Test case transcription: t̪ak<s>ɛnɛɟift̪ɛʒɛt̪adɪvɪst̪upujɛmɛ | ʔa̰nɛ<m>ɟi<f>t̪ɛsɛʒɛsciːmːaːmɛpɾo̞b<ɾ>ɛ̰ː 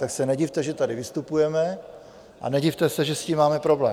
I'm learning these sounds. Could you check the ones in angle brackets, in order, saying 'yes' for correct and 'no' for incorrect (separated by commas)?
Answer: yes, no, yes, no